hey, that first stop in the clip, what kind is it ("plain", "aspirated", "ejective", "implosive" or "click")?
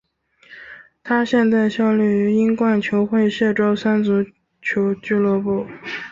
aspirated